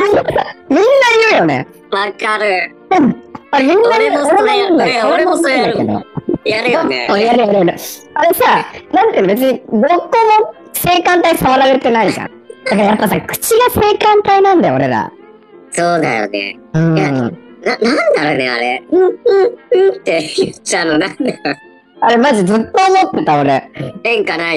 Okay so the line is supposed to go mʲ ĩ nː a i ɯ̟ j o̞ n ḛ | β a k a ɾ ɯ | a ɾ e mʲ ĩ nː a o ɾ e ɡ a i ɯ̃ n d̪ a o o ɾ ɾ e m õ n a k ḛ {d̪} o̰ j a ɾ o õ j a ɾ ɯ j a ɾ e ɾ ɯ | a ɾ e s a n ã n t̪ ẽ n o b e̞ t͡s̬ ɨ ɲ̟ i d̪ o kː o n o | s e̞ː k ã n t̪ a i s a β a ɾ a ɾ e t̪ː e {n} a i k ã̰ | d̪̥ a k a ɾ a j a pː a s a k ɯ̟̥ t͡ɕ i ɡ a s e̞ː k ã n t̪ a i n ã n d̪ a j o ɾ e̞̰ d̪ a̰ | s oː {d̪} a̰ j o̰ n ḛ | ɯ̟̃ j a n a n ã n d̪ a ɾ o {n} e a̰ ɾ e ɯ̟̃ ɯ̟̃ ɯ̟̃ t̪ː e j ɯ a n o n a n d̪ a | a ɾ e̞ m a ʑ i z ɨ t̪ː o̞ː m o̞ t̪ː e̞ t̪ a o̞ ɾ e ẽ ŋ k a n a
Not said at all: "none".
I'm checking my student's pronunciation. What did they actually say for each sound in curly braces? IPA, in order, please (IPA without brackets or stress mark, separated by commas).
d̪, n, d̪, n